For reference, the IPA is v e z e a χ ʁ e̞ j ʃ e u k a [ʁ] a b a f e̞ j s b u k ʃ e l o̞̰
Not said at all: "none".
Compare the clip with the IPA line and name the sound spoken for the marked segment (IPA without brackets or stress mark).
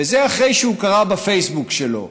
ʁ